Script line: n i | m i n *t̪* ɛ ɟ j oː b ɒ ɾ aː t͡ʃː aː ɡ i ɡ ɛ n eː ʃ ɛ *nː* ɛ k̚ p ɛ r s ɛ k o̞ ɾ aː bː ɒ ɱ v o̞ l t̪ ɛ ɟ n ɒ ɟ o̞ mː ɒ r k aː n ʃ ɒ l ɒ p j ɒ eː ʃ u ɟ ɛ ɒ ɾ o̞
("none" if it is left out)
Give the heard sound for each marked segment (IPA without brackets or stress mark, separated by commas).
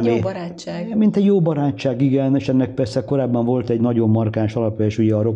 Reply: t̪, nː